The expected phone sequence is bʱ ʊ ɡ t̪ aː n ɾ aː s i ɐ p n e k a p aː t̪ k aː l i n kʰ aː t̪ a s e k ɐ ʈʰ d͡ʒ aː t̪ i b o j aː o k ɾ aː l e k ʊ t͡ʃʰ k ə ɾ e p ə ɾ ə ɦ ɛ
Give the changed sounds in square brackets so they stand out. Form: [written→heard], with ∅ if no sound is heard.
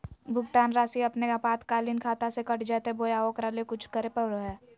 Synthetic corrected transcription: bʱ ʊ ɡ t̪ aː n ɾ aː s i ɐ p n e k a p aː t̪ k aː l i n kʰ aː t̪ a s e k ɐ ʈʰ d͡ʒ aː t̪ [i→e] b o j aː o k ɾ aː l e k ʊ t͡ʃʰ k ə ɾ e p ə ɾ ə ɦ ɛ

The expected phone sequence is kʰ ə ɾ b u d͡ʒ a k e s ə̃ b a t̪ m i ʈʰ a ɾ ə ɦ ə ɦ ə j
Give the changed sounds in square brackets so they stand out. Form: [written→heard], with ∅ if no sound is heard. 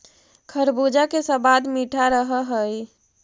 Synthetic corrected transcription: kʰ ə ɾ b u d͡ʒ a k e s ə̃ b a [t̪→d̪] m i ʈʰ a ɾ ə ɦ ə ɦ ə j

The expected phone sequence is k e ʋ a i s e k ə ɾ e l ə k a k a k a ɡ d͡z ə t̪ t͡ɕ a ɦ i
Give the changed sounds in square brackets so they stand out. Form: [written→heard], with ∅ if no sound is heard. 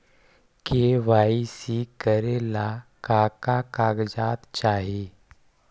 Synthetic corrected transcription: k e ʋ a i s [e→i] k ə ɾ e l [ə→a] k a k a k a ɡ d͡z [ə→a] t̪ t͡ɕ a ɦ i

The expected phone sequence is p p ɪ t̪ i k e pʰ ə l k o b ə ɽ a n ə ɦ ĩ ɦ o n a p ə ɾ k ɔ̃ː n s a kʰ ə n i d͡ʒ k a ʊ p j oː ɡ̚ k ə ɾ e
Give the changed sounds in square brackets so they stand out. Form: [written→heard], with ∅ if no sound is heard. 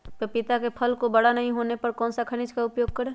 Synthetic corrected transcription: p p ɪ t̪ [i→a] k e pʰ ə l k o b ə ɽ a n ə ɦ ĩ ɦ o n [a→e] p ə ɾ k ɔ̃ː n s a kʰ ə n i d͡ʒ k a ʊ p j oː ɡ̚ k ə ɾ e

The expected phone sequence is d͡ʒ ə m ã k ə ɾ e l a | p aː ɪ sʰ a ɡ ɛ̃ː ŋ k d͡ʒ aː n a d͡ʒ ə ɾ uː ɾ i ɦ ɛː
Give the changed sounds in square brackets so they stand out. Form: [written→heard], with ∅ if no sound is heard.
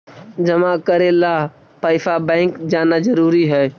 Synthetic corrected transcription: d͡ʒ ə m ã k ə ɾ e l a | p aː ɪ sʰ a [ɡ→b] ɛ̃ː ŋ k d͡ʒ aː n a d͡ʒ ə ɾ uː ɾ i ɦ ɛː

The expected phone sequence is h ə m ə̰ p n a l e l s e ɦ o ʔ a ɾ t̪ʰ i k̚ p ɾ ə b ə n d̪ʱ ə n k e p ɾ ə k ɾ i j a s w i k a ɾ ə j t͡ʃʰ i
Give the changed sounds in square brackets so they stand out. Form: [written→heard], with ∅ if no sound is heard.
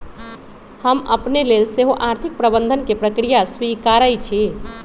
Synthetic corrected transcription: h ə m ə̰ p n [a→e] l e l s e ɦ o ʔ a ɾ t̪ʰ i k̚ p ɾ ə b ə n d̪ʱ ə n k e p ɾ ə k ɾ i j a s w i k a ɾ ə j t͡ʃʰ i

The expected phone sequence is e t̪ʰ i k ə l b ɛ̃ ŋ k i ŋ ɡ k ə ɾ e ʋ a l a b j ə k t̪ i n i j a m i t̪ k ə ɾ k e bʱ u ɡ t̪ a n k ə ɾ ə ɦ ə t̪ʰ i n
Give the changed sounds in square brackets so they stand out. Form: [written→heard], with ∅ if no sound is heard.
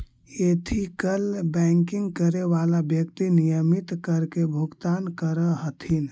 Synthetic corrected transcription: e t̪ʰ i k ə l b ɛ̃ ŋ k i ŋ ɡ k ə ɾ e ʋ a l a b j ə k t̪ i n i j [a→ə] m i t̪ k ə ɾ k e bʱ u ɡ t̪ a n k ə ɾ ə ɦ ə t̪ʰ i n

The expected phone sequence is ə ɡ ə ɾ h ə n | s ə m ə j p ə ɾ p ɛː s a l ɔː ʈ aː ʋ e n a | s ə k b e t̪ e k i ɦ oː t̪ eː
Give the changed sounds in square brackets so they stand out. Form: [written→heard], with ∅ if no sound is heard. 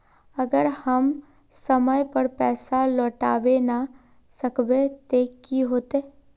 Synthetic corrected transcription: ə ɡ ə ɾ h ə [n→m] | s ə m ə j p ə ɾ p ɛː s a l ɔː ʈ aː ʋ e n a | s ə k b e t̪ e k i ɦ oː t̪ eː

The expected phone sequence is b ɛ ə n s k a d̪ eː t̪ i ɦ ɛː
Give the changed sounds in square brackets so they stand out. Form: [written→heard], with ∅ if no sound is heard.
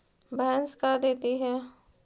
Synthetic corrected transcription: b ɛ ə n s k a d̪ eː t̪ i ɦ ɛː

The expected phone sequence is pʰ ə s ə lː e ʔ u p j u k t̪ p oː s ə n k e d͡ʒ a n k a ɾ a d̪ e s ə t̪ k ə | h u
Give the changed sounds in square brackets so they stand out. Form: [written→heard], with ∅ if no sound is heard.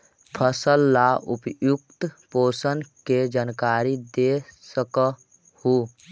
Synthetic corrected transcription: pʰ ə s ə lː [e→a] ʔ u p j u k t̪ p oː s ə n k e d͡ʒ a n k a ɾ [a→i] d̪ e s ə [t̪→∅] k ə | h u

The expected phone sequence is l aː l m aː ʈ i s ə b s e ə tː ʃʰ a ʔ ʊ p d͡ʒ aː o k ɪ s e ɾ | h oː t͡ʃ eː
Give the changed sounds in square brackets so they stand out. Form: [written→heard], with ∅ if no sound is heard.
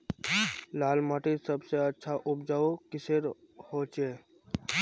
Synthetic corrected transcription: l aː l m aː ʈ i s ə b s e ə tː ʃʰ a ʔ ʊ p d͡ʒ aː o k ɪ s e ɾ | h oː t͡ʃ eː

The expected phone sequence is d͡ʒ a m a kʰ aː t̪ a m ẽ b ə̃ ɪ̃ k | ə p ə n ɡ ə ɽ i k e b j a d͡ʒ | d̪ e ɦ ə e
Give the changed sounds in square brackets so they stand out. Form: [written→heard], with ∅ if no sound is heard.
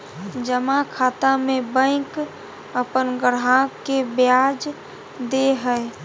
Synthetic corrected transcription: d͡ʒ [a→ə] m a kʰ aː t̪ a m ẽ b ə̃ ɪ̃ k | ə p ə n ɡ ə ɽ [i→a] k e b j a d͡ʒ | d̪ e ɦ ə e

